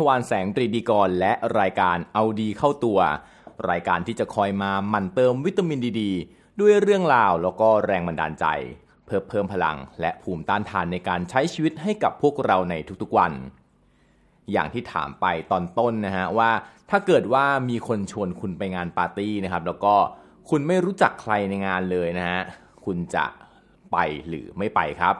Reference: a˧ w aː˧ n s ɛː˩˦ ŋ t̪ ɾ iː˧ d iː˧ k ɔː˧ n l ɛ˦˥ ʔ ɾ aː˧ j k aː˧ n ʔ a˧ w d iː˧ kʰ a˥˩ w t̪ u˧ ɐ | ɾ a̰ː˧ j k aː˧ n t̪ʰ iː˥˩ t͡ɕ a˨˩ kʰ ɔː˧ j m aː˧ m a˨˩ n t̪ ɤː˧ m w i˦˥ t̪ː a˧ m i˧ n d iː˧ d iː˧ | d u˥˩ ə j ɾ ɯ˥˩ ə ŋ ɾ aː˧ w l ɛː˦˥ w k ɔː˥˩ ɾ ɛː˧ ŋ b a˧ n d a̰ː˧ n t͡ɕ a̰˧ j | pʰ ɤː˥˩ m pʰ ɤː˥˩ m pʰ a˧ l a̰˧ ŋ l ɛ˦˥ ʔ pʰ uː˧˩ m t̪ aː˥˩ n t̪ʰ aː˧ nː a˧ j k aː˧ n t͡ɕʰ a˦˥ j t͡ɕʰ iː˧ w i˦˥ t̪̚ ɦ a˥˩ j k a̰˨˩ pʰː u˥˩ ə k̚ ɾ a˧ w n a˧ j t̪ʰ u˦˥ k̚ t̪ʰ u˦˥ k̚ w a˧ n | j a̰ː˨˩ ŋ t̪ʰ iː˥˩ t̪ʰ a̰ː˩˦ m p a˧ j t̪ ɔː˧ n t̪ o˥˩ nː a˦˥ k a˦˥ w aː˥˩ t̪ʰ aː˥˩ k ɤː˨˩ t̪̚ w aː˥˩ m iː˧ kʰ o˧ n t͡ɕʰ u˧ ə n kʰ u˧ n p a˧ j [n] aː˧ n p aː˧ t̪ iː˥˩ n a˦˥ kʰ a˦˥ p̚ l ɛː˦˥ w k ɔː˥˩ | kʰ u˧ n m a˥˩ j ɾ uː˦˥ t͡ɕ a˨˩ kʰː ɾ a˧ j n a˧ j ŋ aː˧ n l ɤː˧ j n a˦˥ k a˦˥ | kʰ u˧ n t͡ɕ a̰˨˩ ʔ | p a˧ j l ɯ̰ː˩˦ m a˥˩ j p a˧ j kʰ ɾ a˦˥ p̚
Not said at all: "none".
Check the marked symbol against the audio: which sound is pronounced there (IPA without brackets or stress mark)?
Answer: ŋ